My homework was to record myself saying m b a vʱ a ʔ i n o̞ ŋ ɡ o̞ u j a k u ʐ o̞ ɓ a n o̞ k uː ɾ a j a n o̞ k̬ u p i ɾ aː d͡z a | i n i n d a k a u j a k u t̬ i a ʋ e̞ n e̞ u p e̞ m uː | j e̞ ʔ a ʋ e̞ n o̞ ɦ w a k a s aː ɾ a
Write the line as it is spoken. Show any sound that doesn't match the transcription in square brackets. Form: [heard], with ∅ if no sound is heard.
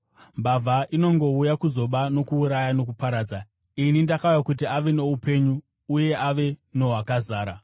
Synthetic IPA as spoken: m b a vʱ a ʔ i n o̞ ŋ ɡ o̞ u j a k u [z] o̞ ɓ a n o̞ k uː ɾ a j a n o̞ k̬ u p [a] ɾ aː d͡z a | i n i n d a k a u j a k u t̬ i a ʋ e̞ n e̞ u p e̞ [ɲ] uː | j e̞ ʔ a ʋ e̞ n o̞ ɦ w a k a [z] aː ɾ a